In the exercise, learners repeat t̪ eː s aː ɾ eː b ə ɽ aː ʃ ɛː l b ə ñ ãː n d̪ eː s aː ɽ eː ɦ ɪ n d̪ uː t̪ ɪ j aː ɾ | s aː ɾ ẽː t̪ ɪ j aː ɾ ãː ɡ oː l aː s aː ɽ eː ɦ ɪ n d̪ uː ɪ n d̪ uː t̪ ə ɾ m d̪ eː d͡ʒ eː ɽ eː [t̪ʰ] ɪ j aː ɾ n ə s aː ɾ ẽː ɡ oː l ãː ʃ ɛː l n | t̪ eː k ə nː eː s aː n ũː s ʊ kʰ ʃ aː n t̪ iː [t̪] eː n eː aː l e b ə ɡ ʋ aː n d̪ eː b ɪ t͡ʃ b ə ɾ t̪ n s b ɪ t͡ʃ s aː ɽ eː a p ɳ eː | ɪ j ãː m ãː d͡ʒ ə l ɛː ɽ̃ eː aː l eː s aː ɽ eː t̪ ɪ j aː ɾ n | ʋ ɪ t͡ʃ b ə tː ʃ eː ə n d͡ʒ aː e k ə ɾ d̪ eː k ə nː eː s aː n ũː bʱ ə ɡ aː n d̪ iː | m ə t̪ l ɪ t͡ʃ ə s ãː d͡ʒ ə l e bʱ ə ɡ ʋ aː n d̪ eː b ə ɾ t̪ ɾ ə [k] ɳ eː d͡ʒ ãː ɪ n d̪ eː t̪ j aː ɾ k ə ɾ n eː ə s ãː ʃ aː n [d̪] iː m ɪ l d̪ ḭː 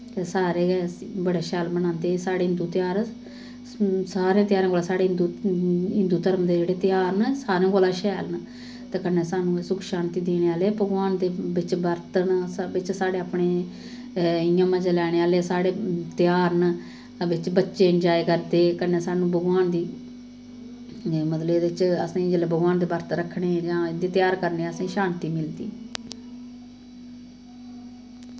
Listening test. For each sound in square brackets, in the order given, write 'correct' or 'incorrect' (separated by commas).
incorrect, incorrect, incorrect, incorrect